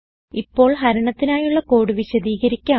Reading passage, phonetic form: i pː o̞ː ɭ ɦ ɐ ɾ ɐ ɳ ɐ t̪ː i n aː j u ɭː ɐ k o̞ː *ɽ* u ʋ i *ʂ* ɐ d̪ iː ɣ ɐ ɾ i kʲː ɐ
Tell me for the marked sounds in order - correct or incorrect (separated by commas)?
correct, incorrect